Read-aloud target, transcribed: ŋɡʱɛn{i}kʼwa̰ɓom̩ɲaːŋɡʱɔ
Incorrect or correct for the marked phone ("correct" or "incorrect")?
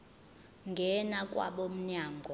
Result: incorrect